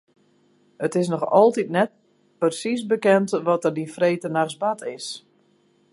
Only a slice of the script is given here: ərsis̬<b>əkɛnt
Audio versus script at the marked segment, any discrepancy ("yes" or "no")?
no